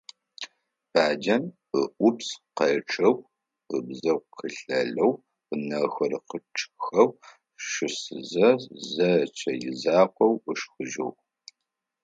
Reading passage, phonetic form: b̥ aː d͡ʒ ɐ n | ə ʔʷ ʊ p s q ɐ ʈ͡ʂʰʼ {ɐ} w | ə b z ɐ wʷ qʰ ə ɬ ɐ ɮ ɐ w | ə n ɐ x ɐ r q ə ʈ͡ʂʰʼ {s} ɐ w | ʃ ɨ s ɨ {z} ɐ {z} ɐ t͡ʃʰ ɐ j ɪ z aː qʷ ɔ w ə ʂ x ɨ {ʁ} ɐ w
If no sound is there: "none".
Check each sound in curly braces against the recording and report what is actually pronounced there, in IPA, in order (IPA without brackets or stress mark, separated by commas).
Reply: ɐ, x, z, z, ʒ